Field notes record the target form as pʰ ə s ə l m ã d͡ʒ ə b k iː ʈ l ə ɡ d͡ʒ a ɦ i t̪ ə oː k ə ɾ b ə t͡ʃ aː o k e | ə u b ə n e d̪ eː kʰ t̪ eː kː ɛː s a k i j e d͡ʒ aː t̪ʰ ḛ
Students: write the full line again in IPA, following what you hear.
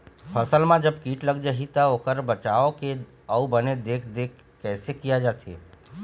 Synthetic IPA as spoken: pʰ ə s ə l m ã d͡ʒ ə b k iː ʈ l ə ɡ d͡ʒ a ɦ i t̪ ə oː k ə ɾ b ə t͡ʃ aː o k e | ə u b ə n e d̪ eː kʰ d̪ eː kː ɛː s e k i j a d͡ʒ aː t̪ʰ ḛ

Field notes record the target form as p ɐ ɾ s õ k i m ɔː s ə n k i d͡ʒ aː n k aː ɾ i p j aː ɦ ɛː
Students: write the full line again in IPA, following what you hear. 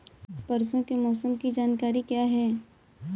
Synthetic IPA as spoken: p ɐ ɾ s õ k e m ɔː s ə m k i d͡ʒ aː n k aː ɾ i k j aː ɦ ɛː

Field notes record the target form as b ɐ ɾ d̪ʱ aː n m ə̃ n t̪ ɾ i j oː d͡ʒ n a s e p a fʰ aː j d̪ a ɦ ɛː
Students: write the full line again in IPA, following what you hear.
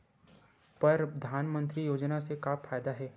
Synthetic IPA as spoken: p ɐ ɾ d̪ʱ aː n m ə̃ n t̪ ɾ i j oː d͡ʒ n a s e k a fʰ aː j d̪ a ɦ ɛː

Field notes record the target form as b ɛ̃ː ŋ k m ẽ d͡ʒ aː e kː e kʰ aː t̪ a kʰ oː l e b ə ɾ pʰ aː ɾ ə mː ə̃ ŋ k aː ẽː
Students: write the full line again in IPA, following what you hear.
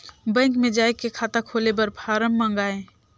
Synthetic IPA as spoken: b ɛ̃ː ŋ k m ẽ d͡ʒ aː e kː e kʰ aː t̪ a kʰ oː l e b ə ɾ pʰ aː ɾ ə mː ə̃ ŋ ɡ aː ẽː

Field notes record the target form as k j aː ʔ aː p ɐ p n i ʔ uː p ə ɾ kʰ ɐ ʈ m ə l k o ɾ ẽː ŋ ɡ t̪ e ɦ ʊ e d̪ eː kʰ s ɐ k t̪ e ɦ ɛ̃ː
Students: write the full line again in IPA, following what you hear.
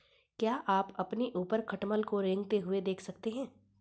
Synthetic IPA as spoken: k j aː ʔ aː p ɐ p n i ʔ uː p ə ɾ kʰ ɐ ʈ m ə l k o ɾ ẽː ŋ ɡ t̪ e ɦ ʊ e d̪ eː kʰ s ɐ k t̪ e ɦ ɛ̃ː

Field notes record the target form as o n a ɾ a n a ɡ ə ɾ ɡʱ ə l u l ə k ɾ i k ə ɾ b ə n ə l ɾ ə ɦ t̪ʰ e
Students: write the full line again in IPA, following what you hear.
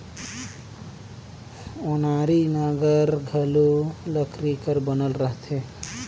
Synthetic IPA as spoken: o n a ɾ i n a ɡ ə ɾ ɡʱ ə l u l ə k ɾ i k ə ɾ b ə n ə l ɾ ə ɦ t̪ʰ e

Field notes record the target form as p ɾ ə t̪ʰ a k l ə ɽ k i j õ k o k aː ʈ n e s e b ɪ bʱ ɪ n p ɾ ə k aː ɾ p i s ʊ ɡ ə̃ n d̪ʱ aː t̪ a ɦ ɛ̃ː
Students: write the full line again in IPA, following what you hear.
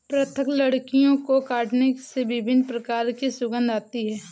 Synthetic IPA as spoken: p ɾ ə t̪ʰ ə k l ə ɽ k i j õ k o k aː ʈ n e s e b ɪ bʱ ɪ n p ɾ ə k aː ɾ k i s ʊ ɡ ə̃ n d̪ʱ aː t̪ i ɦ ɛː

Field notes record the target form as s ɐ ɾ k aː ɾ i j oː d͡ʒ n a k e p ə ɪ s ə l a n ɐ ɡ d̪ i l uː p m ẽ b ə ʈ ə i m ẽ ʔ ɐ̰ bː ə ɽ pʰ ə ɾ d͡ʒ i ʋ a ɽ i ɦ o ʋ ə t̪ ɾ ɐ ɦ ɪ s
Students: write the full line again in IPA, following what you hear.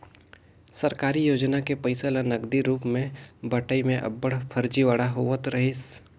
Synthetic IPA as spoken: s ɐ ɾ k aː ɾ i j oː d͡ʒ n a k e p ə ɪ s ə l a n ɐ ɡ d̪ i ɾ uː p m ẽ b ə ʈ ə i m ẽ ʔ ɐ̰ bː ə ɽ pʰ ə ɾ d͡ʒ i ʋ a ɽ a ɦ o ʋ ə t̪ ɾ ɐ ɦ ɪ s

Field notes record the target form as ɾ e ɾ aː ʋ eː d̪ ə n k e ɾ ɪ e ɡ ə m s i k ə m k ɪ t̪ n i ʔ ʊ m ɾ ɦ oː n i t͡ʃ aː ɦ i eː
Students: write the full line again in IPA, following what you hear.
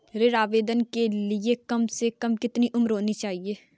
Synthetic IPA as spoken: ɾ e ɾ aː ʋ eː d̪ ə n k e l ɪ e k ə m s e k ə m k ɪ t̪ n i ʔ ʊ m ɾ ɦ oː n i t͡ʃ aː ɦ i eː

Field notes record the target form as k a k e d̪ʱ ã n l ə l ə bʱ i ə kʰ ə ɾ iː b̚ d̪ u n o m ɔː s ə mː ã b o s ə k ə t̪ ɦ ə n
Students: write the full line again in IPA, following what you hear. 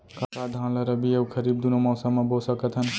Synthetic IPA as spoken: k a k a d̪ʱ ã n l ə ɾ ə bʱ i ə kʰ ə ɾ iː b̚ d̪ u n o m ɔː s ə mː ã b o s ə k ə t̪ ɦ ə n

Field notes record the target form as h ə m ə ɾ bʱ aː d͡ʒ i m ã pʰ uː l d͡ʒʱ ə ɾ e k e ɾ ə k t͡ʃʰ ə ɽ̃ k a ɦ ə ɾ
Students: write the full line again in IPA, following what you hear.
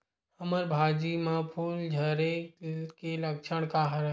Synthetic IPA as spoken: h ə m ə ɾ bʱ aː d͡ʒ i m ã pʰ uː l d͡ʒʱ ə ɾ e k e l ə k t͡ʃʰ ə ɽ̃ k a ɦ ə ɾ

